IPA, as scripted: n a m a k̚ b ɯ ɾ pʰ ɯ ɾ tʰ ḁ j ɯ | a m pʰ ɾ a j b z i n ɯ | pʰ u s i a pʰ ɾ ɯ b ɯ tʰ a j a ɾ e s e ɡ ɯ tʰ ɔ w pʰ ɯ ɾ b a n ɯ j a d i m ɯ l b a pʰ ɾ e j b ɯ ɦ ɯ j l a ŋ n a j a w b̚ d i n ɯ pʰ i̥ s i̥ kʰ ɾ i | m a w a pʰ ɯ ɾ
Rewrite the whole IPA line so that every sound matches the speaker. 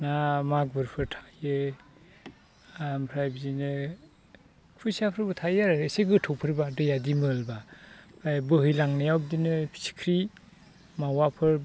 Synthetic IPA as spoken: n a m a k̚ b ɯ ɾ pʰ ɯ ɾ tʰ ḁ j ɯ | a m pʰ ɾ a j b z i n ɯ | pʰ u s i a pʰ ɾ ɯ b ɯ tʰ a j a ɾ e s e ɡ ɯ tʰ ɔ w pʰ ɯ ɾ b a d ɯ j a d i m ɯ l b a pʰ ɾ a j b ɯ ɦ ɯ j l a ŋ n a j a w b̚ d i n ɯ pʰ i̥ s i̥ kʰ ɾ i | m a w a pʰ ɯ ɾ